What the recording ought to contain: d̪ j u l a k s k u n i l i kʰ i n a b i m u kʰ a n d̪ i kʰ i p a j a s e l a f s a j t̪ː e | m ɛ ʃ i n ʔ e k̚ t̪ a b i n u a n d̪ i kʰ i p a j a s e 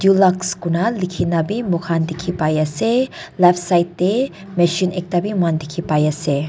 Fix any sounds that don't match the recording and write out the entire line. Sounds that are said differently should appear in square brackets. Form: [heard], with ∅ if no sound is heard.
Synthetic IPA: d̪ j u l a k s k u n [a] l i kʰ i n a b i m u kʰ a n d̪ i kʰ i p a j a s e l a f s a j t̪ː e | m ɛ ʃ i n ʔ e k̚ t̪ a b i [m] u a n d̪ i kʰ i p a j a s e